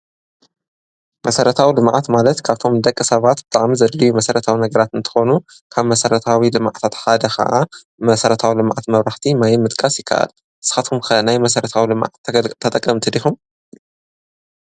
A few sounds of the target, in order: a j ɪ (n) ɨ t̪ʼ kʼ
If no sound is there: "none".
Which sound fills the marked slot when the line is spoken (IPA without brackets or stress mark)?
m